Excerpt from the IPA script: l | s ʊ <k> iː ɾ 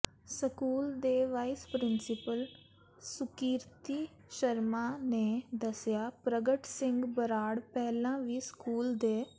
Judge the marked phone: correct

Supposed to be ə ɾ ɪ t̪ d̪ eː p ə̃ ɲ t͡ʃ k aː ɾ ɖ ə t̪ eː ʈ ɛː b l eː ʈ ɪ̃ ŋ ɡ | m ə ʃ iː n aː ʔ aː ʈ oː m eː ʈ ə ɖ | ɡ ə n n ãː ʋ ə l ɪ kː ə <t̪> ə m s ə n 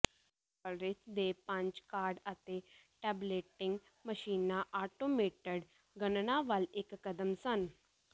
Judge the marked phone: incorrect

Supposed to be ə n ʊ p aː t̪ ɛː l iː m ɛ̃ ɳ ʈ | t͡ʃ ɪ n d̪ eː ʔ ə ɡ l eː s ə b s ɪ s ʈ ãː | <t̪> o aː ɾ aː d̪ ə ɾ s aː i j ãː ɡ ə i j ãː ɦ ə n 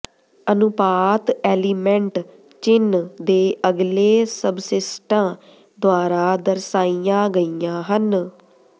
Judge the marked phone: incorrect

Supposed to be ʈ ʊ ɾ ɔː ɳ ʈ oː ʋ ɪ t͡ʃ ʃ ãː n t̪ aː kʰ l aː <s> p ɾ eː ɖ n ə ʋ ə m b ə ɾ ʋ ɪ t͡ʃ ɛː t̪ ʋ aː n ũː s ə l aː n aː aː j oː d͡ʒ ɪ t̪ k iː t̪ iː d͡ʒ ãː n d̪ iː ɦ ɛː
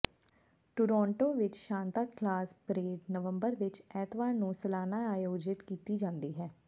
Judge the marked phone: correct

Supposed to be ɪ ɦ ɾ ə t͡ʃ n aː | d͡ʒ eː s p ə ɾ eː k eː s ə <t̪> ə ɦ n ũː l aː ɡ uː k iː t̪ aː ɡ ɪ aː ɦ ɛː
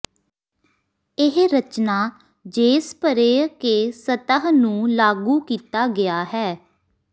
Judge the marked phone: correct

